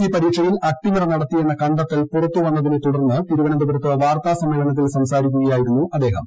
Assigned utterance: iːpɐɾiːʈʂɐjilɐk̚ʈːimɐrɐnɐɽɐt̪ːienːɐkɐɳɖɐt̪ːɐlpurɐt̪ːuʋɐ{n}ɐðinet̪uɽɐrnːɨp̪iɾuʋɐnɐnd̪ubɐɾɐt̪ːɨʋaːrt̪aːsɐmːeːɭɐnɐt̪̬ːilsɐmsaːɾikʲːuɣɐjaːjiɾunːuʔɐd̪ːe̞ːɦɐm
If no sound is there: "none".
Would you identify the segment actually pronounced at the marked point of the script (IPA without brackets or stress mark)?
nː